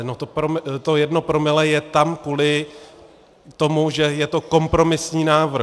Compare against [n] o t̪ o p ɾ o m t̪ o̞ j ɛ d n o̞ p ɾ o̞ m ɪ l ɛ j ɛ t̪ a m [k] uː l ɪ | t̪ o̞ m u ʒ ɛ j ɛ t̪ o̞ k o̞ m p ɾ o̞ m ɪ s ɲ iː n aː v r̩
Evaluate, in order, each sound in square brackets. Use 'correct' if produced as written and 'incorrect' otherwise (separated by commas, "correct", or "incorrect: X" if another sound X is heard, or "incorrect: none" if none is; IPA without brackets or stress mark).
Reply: correct, correct